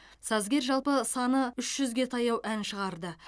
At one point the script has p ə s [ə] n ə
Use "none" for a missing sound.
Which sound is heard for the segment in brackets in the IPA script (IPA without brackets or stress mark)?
ɑ